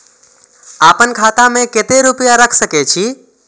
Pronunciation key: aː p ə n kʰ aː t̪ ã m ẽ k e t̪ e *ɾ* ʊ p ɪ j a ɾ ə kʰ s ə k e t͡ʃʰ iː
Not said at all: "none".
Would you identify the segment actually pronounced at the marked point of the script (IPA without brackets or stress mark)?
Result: ɾ